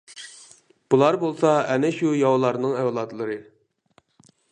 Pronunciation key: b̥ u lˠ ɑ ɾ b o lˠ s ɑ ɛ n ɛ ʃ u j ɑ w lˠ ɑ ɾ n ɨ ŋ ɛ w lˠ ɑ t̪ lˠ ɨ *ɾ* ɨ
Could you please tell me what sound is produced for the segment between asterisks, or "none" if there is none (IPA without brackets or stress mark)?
ɾ